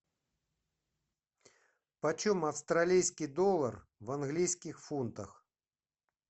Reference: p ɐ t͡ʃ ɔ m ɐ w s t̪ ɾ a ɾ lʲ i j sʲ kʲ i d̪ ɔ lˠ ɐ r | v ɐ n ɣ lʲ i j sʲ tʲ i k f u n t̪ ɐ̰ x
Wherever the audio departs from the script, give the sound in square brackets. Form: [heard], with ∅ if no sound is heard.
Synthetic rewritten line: p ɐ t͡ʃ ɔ m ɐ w s t̪ ɾ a [∅] lʲ i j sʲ kʲ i d̪ ɔ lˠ ɐ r | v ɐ n ɣ lʲ i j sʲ [kʲ] i [x] f u n t̪ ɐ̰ x